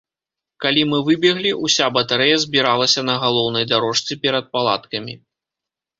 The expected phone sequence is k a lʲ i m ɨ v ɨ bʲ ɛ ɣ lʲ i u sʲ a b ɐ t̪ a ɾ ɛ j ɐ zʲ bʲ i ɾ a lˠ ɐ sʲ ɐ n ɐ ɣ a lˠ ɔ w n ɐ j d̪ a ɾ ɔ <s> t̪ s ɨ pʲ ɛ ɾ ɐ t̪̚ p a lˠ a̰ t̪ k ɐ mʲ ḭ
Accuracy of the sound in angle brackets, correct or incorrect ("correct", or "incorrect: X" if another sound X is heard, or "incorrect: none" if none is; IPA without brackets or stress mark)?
incorrect: ʂ